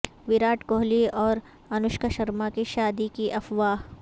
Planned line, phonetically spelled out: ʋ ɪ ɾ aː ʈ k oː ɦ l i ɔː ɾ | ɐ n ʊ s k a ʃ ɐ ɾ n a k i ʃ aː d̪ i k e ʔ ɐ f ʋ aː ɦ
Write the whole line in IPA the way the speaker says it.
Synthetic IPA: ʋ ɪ ɾ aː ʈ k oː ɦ l i ɔː ɾ | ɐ n ʊ ʃ k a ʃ ɐ ɾ m a k i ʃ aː d̪ i k i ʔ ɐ f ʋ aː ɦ